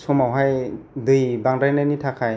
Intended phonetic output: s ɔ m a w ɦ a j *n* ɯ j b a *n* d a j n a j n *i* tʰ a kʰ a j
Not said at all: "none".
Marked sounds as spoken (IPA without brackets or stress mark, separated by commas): d, ŋ, i